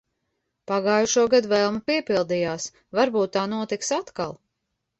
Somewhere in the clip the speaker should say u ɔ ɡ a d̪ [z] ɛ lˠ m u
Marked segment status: incorrect: v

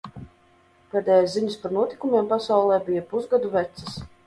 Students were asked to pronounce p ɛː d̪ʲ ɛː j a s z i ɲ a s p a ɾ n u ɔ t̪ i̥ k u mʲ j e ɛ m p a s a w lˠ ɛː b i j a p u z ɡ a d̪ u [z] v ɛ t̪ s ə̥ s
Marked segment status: incorrect: none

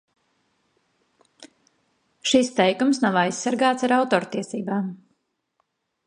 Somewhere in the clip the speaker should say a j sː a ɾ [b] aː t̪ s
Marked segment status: incorrect: ɡ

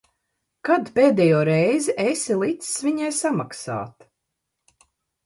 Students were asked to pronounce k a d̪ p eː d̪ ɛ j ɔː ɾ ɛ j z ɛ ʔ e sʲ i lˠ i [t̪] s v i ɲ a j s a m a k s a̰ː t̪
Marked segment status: correct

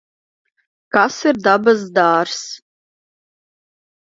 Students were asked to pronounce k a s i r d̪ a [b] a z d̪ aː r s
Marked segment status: correct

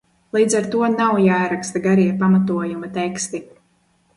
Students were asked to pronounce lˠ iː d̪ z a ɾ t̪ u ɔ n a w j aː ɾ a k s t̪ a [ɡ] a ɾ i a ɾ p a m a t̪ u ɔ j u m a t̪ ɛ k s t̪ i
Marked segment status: correct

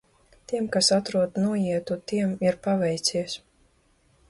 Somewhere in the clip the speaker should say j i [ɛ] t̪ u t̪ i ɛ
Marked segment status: correct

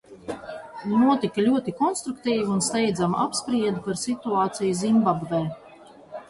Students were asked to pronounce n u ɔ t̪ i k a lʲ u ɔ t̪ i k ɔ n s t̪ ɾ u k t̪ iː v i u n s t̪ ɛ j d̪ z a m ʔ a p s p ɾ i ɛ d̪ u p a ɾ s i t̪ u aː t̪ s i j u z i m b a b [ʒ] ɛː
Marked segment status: incorrect: v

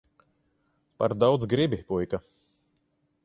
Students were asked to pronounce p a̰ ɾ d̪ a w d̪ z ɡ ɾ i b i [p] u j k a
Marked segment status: correct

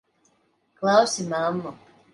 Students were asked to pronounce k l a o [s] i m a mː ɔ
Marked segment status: correct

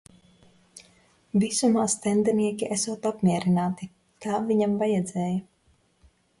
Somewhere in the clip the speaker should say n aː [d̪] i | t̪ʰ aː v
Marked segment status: incorrect: t̪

